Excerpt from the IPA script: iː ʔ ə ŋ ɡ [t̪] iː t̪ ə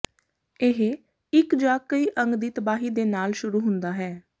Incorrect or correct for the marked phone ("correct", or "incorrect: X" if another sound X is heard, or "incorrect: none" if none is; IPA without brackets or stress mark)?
incorrect: d̪